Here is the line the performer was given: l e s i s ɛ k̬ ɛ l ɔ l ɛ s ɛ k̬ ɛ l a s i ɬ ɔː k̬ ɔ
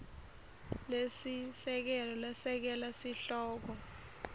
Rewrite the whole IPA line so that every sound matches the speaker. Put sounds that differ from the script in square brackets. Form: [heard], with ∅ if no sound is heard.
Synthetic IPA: l e s i s ɛ k̬ ɛ l ɔ l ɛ s ɛ k̬ ɛ l a s i ɬ ɔː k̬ ɔ